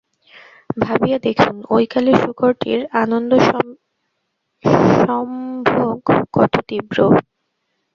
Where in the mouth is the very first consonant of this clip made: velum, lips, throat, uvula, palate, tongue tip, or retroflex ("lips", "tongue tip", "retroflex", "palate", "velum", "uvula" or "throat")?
lips